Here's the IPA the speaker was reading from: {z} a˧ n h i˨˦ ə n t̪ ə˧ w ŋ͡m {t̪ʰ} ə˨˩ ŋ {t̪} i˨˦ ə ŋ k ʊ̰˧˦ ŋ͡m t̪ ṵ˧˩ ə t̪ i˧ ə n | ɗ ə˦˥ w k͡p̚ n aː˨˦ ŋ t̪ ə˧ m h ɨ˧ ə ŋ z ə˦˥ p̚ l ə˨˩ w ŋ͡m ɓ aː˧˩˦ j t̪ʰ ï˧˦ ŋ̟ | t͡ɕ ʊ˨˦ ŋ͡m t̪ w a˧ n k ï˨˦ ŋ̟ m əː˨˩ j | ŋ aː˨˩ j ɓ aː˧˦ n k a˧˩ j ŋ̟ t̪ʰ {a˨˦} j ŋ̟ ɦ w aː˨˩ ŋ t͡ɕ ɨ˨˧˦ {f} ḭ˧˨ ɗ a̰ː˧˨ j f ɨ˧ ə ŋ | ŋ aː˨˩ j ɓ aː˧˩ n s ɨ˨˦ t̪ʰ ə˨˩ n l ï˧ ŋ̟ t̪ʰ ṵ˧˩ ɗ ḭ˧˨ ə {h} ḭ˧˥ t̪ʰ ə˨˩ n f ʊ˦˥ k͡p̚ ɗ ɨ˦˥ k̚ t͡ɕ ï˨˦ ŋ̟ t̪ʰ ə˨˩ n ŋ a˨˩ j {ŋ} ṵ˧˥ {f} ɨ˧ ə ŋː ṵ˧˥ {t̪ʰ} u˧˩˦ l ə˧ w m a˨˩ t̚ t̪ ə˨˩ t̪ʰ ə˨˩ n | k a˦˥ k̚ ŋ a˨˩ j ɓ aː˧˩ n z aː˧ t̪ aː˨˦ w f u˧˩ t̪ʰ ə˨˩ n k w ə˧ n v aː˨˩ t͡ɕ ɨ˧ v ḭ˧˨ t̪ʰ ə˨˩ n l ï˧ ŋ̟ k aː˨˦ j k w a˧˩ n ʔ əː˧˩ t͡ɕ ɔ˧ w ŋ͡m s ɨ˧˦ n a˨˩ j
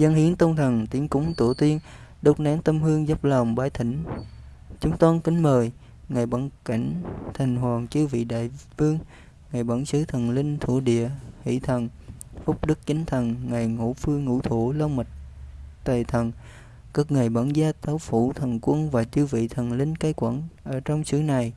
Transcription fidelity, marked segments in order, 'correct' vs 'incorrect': correct, correct, correct, incorrect: a˨˩, incorrect: v, correct, correct, correct, correct

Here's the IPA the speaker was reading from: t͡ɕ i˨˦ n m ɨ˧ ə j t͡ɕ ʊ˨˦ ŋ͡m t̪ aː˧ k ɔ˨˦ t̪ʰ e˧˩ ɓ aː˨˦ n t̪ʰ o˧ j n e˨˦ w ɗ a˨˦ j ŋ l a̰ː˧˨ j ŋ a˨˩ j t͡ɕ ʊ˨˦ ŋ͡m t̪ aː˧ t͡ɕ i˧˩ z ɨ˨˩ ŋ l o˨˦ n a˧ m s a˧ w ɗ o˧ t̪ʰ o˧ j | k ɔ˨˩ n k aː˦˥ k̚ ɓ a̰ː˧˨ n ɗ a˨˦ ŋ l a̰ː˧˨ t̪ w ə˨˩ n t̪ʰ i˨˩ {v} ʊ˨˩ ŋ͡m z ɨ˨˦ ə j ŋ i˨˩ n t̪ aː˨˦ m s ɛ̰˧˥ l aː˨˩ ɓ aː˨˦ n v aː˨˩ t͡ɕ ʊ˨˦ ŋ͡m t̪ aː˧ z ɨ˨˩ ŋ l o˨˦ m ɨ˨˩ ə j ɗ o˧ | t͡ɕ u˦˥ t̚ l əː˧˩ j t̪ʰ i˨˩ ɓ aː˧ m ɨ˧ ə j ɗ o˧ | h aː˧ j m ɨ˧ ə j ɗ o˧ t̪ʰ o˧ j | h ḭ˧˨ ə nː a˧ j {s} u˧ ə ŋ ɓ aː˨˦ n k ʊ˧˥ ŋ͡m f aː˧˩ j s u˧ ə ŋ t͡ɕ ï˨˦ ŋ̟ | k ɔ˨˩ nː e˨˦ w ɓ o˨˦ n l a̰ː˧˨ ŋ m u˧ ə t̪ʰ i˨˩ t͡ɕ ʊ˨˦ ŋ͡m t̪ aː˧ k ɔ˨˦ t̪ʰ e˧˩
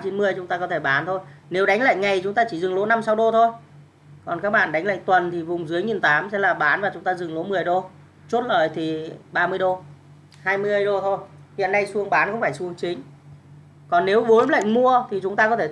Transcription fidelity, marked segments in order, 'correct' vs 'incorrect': correct, correct

